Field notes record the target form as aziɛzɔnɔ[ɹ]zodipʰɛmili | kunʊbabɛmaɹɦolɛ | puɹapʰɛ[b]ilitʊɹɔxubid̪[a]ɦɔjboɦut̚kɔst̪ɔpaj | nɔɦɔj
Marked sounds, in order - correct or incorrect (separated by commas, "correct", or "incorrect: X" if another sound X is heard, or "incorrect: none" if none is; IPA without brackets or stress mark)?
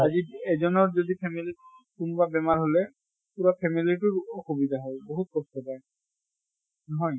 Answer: correct, incorrect: m, correct